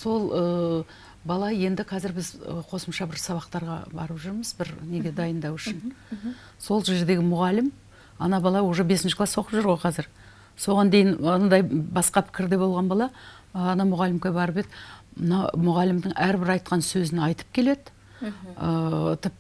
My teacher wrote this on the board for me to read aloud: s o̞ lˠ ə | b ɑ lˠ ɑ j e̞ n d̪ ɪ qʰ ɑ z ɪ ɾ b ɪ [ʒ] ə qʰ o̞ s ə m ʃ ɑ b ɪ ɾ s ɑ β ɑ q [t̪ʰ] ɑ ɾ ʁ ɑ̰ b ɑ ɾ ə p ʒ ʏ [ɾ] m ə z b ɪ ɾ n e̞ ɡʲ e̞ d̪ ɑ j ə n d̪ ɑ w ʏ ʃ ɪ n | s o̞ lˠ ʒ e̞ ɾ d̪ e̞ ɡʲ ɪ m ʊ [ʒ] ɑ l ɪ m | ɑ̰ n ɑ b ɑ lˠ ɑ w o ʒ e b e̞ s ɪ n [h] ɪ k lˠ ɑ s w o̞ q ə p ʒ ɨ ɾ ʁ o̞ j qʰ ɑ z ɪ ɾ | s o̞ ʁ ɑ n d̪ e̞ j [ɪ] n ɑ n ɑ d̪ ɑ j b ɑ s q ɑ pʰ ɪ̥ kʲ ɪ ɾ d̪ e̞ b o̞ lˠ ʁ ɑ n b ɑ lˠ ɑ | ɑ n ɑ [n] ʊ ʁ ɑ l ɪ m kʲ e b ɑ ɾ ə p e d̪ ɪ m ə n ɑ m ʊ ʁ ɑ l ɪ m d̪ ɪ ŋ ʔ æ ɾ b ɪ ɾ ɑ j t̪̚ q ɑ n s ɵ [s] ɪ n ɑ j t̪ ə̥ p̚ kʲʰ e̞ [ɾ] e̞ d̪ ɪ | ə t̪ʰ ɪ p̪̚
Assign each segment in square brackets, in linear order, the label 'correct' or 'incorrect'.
incorrect: z, incorrect: t̪, correct, incorrect: ʁ, incorrect: ʃ, correct, incorrect: m, incorrect: z, incorrect: l

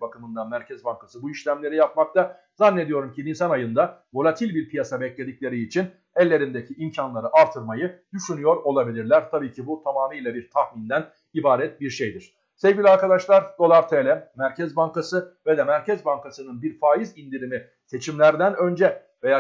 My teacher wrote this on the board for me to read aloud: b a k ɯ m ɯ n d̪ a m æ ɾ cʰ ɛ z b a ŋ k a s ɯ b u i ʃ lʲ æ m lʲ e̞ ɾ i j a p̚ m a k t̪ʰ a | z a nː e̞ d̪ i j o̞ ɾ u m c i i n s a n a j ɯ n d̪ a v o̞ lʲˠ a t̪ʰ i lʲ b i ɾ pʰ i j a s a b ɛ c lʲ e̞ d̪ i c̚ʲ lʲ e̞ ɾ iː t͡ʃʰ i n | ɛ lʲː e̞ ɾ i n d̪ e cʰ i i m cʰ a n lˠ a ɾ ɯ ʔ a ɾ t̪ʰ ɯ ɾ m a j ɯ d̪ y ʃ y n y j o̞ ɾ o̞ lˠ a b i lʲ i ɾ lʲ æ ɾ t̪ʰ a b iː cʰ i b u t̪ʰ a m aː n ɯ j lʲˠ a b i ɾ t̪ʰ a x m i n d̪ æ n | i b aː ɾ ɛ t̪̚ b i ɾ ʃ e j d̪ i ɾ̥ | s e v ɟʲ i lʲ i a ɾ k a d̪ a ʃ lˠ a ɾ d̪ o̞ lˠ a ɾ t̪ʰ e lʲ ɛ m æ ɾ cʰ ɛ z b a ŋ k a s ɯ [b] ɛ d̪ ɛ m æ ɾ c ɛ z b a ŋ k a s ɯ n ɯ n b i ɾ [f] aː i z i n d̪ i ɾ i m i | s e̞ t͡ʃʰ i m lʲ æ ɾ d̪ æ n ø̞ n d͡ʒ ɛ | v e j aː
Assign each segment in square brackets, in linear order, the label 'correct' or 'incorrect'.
incorrect: v, correct

